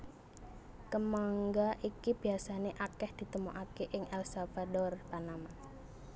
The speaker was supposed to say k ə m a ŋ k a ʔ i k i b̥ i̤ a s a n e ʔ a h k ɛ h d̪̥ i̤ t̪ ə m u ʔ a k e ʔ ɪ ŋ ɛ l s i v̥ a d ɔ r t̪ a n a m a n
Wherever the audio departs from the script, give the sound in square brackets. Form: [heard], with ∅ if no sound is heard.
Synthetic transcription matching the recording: k ə m a ŋ [ɡ] a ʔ i k i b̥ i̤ a s a n e ʔ a [∅] k ɛ h d̪̥ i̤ t̪ ə m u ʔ a k e ʔ ɪ ŋ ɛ l s [a] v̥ a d ɔ r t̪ a n a m a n